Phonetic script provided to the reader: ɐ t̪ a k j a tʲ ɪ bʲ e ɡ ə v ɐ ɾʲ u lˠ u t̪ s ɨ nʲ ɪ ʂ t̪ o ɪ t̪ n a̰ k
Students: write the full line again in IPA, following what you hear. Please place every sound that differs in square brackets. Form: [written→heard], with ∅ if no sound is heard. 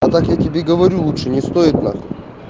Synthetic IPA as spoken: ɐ t̪ a k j a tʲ ɪ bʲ e ɡ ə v ɐ ɾʲ u lˠ u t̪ [s→ʂ] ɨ nʲ ɪ [ʂ→s] t̪ o ɪ t̪ n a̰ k